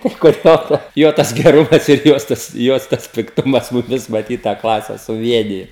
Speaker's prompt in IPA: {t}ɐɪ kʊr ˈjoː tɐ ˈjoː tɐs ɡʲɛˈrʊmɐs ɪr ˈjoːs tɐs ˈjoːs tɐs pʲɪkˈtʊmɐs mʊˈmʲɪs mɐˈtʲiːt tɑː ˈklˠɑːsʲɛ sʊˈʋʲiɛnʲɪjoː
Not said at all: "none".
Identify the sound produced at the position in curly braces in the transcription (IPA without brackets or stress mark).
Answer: t